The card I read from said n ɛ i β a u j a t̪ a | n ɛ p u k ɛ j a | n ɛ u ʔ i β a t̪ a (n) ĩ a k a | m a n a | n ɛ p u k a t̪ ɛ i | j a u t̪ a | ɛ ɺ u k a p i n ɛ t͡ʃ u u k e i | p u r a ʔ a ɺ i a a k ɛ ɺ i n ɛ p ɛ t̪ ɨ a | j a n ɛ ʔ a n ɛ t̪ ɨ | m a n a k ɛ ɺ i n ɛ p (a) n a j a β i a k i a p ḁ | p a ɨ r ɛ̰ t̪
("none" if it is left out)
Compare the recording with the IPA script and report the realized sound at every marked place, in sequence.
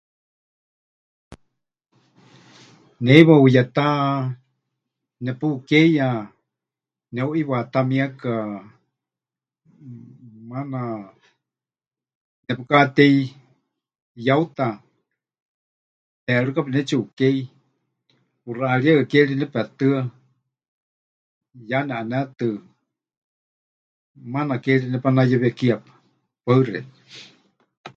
m, a

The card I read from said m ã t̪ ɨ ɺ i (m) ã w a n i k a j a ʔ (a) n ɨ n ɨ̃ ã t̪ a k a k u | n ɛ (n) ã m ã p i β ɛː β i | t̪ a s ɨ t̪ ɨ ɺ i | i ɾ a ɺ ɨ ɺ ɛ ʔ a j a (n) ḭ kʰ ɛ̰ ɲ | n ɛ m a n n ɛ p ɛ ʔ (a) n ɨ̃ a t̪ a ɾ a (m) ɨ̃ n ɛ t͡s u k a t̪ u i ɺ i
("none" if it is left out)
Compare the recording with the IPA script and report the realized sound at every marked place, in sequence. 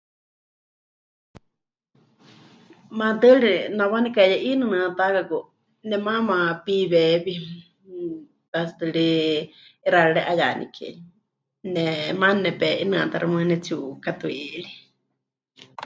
n, i, m, n, i, m

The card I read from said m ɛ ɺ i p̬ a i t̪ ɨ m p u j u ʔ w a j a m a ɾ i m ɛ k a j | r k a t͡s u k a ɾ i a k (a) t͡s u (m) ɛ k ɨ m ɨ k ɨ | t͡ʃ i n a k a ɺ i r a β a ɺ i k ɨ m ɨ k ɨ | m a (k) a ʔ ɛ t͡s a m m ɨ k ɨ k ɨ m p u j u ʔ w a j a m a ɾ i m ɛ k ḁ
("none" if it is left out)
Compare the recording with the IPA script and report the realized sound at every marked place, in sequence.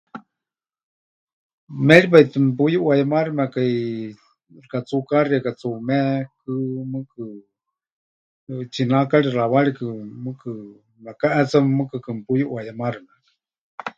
a, m, k

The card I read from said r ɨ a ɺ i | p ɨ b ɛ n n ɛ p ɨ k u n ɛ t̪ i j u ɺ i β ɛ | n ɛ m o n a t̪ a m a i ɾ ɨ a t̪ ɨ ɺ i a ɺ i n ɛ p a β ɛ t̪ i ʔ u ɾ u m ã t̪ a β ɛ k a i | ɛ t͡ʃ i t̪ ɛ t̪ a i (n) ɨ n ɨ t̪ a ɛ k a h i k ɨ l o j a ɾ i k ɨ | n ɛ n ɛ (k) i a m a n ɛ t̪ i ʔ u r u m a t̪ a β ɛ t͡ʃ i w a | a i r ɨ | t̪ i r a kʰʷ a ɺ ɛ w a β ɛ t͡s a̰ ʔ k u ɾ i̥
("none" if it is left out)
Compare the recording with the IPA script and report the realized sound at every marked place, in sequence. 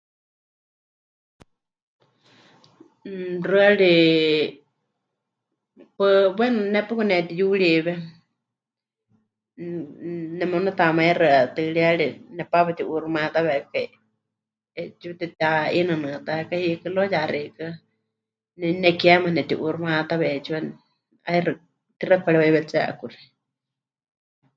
n, k

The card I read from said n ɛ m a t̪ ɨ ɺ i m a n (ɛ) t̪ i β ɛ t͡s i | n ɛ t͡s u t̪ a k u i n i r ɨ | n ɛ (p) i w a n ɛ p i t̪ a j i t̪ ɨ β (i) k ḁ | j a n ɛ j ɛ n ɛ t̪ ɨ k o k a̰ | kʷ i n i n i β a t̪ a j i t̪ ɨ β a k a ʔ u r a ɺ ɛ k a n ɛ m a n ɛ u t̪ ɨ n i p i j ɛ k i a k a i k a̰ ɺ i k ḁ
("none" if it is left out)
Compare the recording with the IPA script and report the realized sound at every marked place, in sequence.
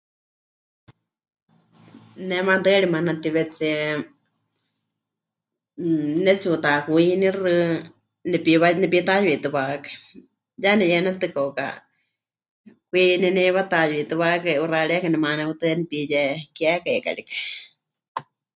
a, p, a

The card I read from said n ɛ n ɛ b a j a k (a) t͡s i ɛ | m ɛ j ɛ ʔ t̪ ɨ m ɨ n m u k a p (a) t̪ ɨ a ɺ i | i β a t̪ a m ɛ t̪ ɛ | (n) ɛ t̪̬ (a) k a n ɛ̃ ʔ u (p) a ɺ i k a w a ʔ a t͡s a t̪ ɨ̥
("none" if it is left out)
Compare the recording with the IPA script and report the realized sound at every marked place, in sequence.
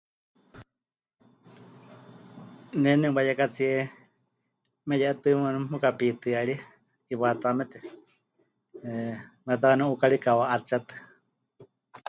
a, i, m, a, k

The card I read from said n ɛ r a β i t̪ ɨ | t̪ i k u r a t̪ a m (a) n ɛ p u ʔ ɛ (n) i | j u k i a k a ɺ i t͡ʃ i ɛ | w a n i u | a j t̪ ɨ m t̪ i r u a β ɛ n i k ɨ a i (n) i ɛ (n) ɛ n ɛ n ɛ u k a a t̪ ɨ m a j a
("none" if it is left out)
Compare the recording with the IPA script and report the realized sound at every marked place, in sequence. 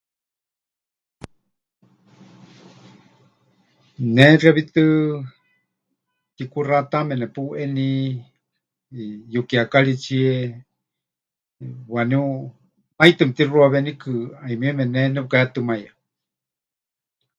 ɛ, n, m, m

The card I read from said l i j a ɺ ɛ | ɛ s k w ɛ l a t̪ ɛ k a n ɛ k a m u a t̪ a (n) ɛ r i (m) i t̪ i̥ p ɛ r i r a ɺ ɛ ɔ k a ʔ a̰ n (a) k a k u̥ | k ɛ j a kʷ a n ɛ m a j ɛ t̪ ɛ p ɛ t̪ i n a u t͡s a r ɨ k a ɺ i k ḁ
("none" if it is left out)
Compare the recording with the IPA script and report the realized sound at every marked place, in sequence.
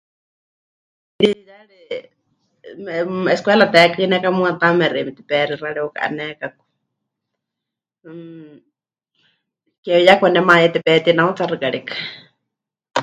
m, m, ɛ

